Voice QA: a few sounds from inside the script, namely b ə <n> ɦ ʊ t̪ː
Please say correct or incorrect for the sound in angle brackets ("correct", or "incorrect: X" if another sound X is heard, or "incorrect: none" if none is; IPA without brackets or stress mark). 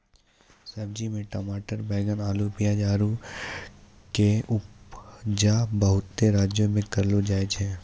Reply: incorrect: none